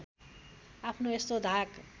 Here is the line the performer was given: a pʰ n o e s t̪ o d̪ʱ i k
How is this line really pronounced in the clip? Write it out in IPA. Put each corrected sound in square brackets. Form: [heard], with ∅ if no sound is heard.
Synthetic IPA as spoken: a pʰ n o e s t̪ o d̪ʱ [a] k